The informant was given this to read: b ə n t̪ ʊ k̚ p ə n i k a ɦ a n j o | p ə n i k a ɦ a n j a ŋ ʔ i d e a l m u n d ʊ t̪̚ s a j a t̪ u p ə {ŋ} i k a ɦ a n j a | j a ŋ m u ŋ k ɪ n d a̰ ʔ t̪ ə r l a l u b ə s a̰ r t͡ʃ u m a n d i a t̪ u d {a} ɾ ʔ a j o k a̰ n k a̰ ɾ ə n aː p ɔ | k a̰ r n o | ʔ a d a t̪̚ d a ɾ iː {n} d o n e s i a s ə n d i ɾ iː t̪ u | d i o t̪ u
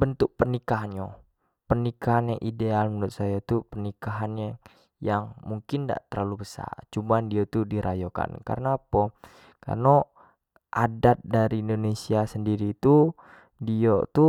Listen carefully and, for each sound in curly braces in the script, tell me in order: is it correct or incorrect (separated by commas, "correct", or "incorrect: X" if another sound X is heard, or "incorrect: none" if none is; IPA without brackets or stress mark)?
incorrect: n, incorrect: i, correct